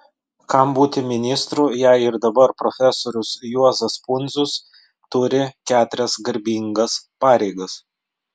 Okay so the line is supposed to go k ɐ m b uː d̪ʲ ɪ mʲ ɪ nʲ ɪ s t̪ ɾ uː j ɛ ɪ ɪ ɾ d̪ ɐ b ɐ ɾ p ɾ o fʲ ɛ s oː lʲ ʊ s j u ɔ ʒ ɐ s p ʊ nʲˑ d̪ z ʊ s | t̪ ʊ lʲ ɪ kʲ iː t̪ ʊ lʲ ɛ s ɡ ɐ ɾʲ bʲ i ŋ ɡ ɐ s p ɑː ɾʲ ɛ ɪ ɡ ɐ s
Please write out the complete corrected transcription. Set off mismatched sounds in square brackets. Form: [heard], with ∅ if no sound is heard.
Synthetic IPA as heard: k ɐ m b uː [t̪ʲ] ɪ mʲ ɪ nʲ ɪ s t̪ ɾ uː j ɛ ɪ ɪ ɾ d̪ ɐ b ɐ ɾ p ɾ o fʲ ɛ s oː [ɾʲ] ʊ s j u ɔ [z] ɐ s p ʊ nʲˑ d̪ z ʊ s | t̪ ʊ [ɾʲ] ɪ kʲ [æː] t̪ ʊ [ɾʲ] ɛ s ɡ ɐ ɾʲ bʲ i ŋ ɡ ɐ s p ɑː ɾʲ ɛ ɪ ɡ ɐ s